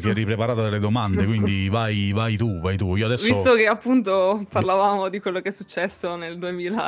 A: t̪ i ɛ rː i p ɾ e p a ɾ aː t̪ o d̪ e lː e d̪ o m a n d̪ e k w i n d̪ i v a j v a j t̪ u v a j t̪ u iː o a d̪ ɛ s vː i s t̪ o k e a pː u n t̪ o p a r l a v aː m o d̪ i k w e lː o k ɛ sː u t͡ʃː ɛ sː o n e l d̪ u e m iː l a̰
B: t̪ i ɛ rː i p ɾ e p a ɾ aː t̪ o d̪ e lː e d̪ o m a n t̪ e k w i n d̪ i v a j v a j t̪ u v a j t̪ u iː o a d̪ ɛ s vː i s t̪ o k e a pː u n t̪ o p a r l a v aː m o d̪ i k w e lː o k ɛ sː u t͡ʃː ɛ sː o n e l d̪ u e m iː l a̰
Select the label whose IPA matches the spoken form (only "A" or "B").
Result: A